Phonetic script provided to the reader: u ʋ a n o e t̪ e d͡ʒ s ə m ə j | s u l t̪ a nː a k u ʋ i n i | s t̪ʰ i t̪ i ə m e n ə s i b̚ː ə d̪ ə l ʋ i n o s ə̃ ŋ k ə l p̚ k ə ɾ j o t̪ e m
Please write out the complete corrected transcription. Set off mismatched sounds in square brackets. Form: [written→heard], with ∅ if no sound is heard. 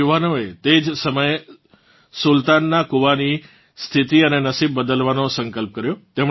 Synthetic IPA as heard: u ʋ a n o e t̪ e d͡ʒ s ə m ə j | s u l t̪ a nː a k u ʋ [i→a] n i | s t̪ʰ i t̪ i ə [m→n] e n ə s i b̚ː ə d̪ ə l ʋ [i→a] n o s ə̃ ŋ k ə l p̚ k ə ɾ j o t̪ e m